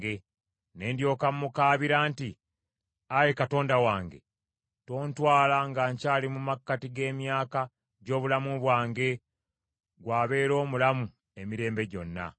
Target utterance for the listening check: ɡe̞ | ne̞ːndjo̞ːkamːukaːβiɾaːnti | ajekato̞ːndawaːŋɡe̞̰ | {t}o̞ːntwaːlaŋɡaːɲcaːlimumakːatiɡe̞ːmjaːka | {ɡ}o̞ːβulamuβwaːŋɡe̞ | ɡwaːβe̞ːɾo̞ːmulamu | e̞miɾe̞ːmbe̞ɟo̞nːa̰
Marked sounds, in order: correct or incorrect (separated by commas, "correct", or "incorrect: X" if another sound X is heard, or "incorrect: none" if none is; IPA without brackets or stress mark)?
correct, incorrect: ɟ